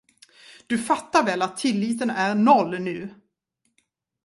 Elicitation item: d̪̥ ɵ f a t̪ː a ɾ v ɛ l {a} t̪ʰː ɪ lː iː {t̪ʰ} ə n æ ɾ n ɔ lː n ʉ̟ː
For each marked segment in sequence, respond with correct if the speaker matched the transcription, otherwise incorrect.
correct, incorrect: t̪

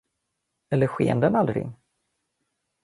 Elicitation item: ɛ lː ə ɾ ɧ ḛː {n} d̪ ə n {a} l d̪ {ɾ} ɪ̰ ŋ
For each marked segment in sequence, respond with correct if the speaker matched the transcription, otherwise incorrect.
correct, correct, correct

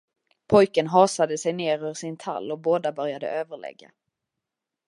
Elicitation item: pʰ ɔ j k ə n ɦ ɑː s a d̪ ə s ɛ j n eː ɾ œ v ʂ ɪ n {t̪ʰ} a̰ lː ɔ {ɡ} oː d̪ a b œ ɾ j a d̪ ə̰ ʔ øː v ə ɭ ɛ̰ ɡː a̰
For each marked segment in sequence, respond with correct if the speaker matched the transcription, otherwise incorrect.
correct, incorrect: b

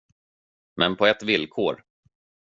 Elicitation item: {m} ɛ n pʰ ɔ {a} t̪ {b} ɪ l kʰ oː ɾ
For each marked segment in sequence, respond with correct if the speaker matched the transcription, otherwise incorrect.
correct, incorrect: ɛ, incorrect: v

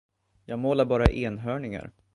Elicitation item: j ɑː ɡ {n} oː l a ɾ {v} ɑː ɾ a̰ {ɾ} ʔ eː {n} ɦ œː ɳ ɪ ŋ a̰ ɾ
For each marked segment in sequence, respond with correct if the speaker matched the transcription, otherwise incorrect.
incorrect: m, incorrect: b, incorrect: none, correct

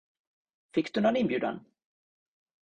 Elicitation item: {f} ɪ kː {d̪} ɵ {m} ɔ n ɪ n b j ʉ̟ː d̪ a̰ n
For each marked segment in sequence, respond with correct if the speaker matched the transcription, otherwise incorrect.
correct, correct, incorrect: n

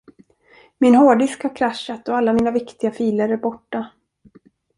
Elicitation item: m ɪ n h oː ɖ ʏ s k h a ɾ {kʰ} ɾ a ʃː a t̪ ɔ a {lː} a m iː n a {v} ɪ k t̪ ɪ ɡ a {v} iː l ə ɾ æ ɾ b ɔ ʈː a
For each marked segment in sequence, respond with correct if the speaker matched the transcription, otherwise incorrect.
correct, correct, correct, incorrect: f

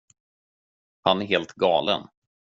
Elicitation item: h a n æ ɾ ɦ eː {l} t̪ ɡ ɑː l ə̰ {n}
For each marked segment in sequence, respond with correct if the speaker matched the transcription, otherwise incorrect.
correct, correct

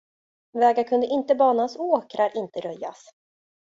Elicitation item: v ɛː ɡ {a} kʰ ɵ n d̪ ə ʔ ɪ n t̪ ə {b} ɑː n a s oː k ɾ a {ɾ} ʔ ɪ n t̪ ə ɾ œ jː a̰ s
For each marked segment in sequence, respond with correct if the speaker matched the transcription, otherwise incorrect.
correct, correct, correct

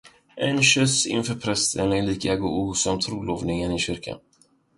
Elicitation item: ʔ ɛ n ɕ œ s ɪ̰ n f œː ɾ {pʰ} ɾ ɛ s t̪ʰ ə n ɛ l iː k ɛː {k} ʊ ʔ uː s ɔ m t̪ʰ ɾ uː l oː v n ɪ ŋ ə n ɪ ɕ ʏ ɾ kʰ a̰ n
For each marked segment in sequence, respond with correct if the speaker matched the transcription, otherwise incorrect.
correct, incorrect: ɡ

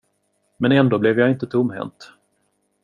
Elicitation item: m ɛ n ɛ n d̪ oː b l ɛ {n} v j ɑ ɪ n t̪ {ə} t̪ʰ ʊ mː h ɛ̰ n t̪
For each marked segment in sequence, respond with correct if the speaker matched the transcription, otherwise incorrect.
incorrect: none, correct

